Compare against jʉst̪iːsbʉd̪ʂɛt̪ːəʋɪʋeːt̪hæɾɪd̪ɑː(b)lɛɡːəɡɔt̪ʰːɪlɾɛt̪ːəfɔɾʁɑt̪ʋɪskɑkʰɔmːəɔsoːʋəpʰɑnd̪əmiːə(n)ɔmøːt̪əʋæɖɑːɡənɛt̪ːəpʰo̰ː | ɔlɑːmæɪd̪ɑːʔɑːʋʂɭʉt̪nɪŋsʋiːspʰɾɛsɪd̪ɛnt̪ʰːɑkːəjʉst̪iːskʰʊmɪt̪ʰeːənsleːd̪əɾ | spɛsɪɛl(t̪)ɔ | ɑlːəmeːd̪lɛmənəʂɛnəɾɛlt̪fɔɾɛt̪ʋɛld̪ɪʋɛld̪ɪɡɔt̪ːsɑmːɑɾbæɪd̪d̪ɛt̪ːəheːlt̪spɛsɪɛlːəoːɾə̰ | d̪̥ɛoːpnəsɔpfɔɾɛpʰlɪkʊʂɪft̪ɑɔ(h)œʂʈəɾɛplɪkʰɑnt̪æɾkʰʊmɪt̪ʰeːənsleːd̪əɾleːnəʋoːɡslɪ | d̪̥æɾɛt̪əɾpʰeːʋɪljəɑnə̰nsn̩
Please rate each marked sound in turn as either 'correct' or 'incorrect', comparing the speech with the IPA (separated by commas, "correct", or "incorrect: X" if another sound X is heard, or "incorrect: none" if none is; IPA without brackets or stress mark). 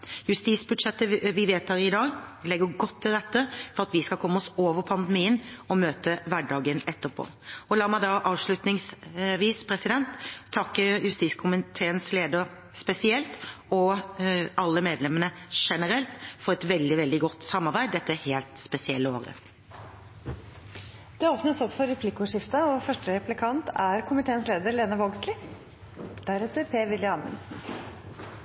incorrect: ɡ, correct, correct, incorrect: f